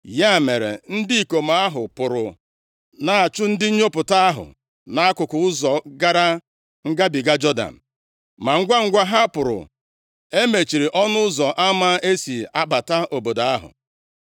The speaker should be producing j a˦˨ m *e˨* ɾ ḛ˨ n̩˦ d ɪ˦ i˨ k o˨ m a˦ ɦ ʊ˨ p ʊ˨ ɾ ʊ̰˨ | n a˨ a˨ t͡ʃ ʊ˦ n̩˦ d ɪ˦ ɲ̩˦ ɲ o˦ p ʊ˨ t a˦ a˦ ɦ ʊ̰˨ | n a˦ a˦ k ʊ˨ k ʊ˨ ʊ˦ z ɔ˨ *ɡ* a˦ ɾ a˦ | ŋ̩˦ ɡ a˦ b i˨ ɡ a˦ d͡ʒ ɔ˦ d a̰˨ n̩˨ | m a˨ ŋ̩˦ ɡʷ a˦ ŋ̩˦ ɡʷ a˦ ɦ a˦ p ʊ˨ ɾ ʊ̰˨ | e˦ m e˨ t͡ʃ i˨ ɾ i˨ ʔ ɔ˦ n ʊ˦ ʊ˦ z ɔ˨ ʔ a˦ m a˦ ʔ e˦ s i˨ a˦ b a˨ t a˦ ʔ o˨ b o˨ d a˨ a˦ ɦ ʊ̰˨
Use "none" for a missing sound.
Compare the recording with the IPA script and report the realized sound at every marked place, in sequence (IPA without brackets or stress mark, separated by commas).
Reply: e˨, ɡ